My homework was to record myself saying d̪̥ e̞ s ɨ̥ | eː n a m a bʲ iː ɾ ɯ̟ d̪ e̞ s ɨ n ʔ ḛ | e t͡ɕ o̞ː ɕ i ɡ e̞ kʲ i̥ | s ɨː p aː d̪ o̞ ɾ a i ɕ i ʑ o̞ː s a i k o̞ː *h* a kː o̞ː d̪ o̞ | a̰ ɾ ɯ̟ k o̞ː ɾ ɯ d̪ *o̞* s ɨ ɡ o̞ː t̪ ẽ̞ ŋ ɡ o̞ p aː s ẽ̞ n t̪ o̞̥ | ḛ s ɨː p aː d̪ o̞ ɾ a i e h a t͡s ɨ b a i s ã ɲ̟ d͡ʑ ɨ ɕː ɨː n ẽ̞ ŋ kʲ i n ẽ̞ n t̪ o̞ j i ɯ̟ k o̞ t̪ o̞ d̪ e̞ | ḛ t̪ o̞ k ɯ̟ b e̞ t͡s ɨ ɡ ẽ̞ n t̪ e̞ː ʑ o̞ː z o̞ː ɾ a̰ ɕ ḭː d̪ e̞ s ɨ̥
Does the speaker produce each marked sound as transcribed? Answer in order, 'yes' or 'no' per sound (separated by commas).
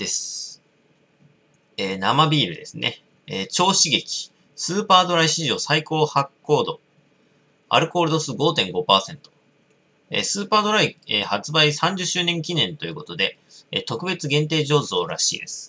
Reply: yes, yes